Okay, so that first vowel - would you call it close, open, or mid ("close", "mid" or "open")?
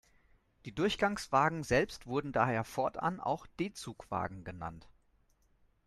close